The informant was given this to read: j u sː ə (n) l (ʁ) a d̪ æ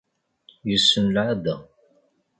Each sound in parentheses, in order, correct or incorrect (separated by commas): correct, incorrect